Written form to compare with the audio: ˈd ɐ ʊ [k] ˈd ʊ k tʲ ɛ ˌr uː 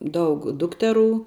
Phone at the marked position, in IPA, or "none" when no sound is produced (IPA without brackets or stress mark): k